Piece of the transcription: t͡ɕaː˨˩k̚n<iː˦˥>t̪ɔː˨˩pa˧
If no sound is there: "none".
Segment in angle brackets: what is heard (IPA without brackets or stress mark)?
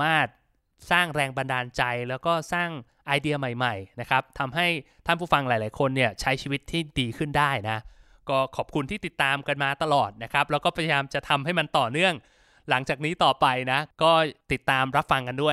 iː˦˥